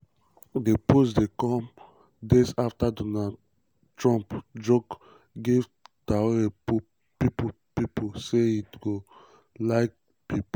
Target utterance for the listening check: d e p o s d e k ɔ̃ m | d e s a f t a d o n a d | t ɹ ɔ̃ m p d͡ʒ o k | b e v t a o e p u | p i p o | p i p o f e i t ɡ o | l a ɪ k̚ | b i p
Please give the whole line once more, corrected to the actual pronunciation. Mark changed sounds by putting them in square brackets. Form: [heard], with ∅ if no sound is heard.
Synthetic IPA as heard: d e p o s d e k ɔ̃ m | d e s a f t a d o n a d | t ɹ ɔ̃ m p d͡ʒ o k | [ɡ] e v t a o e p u | p i p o | p i p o [s] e i t ɡ o | l a ɪ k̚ | [p] i p